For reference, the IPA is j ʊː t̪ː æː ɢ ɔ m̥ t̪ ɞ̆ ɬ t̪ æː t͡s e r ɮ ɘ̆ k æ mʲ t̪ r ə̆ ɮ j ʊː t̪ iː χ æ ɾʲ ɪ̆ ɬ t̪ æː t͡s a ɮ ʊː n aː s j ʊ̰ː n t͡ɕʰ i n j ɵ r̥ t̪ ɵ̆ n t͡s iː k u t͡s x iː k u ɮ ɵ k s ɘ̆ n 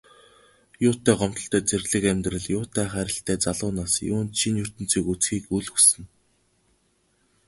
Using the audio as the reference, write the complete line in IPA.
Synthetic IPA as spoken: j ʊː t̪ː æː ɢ ɔ m̥ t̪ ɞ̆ ɬ t̪ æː t͡s e r ɮ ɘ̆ k æ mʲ t̪ r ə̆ ɮ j ʊː t̪ æː χ æ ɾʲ ɪ̆ ɬ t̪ æː t͡s a ɮ ʊː n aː s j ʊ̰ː n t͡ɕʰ i n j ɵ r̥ t̪ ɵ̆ n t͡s iː k u t͡s x iː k u ɮ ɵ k s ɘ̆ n